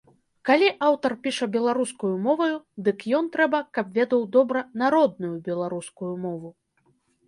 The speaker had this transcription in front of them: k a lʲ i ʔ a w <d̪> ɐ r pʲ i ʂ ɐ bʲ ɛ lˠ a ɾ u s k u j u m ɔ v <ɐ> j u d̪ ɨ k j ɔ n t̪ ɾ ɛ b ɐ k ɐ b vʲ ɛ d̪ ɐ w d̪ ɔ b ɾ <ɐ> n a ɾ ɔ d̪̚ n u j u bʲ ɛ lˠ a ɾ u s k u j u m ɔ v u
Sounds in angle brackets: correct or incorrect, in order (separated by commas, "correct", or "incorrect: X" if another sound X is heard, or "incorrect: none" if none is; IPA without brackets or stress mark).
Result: incorrect: t̪, correct, correct